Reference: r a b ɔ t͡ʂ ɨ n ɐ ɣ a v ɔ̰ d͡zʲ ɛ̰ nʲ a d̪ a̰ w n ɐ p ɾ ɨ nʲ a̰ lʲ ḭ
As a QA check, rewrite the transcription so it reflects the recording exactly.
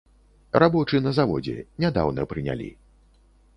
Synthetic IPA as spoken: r a b ɔ t͡ʂ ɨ n ɐ z a v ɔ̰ d͡zʲ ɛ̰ nʲ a d̪ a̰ w n ɐ p ɾ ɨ nʲ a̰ lʲ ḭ